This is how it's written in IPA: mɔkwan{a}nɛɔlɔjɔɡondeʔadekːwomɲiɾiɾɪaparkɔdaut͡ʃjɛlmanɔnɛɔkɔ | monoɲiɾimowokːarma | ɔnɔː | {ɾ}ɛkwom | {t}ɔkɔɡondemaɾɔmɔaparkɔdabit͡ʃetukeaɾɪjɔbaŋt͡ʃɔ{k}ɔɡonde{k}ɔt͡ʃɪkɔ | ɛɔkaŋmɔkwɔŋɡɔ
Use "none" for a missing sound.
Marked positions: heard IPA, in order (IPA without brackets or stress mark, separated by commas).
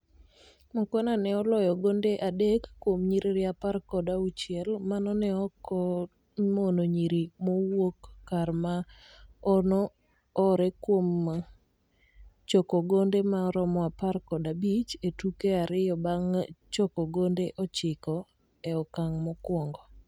a, ɾ, t͡ʃ, k, ʔ